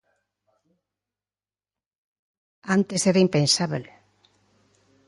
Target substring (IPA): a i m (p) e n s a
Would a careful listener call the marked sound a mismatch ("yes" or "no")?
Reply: no